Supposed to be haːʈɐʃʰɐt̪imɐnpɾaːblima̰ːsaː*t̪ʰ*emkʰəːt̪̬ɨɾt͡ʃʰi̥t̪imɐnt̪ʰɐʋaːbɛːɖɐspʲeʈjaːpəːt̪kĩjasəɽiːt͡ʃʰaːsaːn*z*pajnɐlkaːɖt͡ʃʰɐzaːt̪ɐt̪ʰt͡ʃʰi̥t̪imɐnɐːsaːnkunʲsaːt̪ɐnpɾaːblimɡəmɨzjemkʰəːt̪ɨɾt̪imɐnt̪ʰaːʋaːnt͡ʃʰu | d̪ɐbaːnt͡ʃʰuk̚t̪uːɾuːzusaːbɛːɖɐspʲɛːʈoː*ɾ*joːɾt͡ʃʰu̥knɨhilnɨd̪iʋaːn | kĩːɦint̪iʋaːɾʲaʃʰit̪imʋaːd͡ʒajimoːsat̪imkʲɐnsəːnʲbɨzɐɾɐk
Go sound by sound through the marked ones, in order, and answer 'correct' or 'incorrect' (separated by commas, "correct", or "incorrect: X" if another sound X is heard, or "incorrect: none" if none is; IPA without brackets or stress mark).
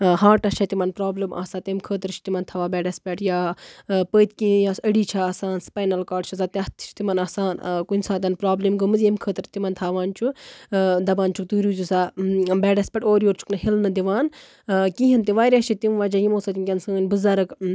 incorrect: t̪, incorrect: s, correct